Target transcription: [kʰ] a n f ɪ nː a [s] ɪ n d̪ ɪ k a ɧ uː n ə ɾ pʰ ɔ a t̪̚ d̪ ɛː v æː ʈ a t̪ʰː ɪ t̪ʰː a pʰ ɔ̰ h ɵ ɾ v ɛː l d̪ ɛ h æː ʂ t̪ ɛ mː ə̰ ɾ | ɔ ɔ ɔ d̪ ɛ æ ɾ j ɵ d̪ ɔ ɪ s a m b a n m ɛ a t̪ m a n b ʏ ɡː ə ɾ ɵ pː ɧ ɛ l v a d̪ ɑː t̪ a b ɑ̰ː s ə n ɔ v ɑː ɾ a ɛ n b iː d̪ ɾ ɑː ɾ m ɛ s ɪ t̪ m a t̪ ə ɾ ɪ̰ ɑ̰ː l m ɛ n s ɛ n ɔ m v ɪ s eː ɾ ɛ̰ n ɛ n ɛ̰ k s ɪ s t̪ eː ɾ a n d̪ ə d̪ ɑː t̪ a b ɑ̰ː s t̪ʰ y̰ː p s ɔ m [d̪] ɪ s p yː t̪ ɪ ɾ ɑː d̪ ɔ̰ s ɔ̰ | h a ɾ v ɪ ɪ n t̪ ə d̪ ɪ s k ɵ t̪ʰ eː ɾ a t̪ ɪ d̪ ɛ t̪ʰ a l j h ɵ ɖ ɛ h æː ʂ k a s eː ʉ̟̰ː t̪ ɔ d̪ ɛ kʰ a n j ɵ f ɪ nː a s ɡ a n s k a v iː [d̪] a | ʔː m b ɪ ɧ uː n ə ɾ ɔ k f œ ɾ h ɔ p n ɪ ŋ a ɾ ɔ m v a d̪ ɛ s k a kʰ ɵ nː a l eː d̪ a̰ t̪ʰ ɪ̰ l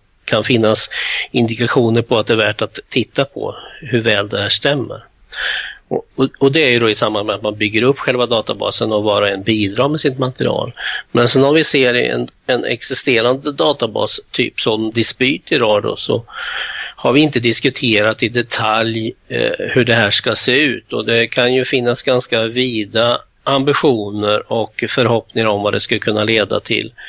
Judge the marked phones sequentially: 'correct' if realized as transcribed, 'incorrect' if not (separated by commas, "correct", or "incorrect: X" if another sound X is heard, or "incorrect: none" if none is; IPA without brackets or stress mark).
correct, correct, correct, correct